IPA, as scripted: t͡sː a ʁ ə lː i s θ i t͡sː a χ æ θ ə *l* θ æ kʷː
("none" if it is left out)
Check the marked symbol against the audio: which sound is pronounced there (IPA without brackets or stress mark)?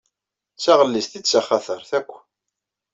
ɾ